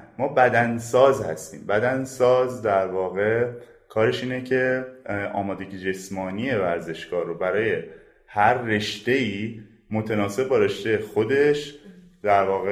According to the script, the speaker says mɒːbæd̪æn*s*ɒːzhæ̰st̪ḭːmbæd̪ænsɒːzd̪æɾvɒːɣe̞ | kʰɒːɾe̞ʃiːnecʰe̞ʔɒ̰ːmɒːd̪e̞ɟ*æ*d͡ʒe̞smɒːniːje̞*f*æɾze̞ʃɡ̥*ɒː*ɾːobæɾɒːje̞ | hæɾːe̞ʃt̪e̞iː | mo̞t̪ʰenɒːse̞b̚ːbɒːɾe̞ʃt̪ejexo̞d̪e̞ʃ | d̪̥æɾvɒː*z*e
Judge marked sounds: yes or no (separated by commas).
yes, no, no, yes, no